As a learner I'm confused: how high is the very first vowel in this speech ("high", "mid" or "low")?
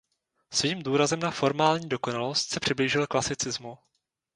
high